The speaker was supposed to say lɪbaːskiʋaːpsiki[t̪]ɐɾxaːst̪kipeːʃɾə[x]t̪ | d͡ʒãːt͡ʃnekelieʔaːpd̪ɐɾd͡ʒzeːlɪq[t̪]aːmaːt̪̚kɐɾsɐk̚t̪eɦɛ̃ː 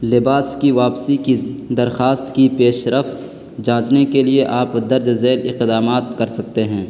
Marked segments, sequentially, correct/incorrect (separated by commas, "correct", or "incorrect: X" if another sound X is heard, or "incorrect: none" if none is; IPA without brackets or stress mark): incorrect: d̪, incorrect: f, incorrect: d̪